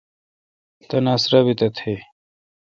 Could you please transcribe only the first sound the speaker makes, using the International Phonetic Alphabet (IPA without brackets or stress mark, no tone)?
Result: t̪